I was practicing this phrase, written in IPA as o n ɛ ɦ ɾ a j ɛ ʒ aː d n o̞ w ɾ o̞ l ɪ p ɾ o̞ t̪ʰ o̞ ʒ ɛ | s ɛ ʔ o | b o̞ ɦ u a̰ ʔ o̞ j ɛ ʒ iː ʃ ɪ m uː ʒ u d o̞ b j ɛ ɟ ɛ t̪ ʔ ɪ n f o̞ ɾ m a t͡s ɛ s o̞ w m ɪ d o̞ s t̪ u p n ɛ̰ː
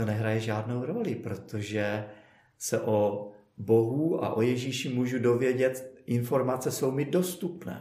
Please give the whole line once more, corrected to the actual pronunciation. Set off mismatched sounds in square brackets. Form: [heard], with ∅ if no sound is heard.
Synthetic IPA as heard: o n ɛ ɦ ɾ a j ɛ ʒ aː d n o̞ w ɾ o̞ l ɪ p ɾ o̞ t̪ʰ o̞ ʒ ɛ | s ɛ ʔ o | b o̞ ɦ u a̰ ʔ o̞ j ɛ ʒ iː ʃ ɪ m uː ʒ u d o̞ [v] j ɛ ɟ ɛ t̪ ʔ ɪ n f o̞ ɾ m a t͡s ɛ s o̞ w m ɪ d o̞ s t̪ u p n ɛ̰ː